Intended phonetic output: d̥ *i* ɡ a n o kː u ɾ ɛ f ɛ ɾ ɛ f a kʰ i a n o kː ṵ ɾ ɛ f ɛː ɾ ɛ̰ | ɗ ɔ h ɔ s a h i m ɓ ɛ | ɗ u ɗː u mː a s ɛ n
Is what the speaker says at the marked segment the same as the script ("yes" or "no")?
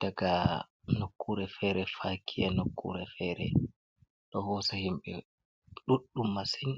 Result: no